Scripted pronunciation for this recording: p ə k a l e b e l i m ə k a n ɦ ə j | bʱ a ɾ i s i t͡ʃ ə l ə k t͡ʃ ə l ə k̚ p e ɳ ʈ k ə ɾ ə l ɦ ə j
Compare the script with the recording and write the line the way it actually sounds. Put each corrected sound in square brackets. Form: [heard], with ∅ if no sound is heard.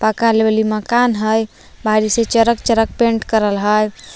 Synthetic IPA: p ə k a l e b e l i m ə k a n ɦ ə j | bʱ a ɾ i s [e] t͡ʃ ə [ɾ] ə k t͡ʃ ə [ɾ] ə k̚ p e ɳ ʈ k ə ɾ ə l ɦ ə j